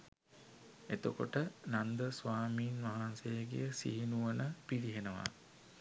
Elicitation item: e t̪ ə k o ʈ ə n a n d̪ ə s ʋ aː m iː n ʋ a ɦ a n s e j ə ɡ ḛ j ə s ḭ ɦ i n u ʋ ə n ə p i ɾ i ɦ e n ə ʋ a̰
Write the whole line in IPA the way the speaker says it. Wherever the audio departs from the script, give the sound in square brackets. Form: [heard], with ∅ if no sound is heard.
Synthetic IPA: e t̪ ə k o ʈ ə n a n d̪ ə s ʋ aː m iː n ʋ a ɦ a n s e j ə ɡ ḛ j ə s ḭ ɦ i n u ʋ ə n ə p i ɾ i ɦ e n ə ʋ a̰